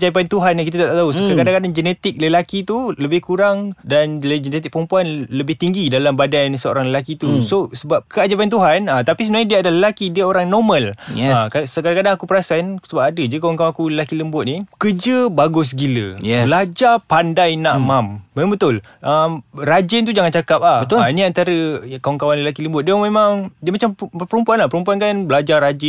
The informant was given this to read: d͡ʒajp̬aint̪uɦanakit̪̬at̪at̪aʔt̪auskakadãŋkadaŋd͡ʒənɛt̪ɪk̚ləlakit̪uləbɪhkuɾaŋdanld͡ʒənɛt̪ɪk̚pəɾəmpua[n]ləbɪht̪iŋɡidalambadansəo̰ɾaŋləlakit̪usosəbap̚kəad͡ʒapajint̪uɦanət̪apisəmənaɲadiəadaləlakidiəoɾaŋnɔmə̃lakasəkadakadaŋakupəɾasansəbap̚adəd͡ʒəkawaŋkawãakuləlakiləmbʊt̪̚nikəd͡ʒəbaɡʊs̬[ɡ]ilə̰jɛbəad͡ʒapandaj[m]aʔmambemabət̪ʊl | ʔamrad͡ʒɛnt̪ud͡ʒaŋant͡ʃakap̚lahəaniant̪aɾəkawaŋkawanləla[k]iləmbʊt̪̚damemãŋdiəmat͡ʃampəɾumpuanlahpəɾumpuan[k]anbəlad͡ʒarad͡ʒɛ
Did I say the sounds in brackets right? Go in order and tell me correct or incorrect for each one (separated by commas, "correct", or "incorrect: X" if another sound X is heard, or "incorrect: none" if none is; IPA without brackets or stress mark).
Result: correct, correct, incorrect: n, correct, correct